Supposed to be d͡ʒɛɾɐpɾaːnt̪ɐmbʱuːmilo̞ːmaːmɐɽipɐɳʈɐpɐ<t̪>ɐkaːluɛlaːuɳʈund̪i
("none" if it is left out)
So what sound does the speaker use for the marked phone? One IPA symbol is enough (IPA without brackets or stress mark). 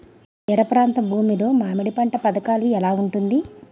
d̪